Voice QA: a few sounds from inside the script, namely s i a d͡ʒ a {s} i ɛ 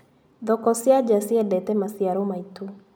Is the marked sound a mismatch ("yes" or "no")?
no